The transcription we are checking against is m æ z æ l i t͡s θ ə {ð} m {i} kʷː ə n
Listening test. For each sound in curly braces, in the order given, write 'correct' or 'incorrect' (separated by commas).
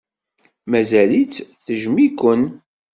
incorrect, correct